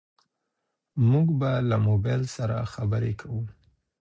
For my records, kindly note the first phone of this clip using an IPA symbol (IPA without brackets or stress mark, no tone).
m